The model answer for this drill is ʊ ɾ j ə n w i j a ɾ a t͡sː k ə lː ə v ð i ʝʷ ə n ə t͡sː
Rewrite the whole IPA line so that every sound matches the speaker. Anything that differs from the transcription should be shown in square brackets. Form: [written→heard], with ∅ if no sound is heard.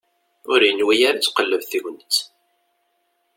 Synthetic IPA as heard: ʊ ɾ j ə n w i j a ɾ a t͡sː [k→q] ə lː ə v [ð→θ] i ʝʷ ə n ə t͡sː